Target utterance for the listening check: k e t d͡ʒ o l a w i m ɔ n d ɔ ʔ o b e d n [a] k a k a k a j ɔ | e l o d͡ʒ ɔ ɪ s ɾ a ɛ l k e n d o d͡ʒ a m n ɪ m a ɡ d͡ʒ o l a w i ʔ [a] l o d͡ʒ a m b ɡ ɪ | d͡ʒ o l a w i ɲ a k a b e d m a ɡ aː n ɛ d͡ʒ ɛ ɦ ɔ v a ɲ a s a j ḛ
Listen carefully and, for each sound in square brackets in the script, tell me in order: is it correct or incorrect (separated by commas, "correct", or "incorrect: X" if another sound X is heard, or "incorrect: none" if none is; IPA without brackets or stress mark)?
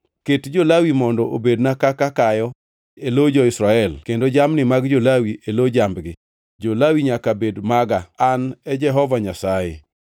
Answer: correct, incorrect: e